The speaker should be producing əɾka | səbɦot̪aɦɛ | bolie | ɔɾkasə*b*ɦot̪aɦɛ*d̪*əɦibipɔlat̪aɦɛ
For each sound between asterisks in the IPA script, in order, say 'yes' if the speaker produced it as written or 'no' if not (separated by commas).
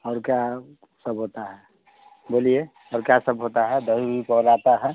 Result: yes, yes